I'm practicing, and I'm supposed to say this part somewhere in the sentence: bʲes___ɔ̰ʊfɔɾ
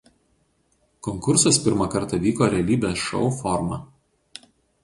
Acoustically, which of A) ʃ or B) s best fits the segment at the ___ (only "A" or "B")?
A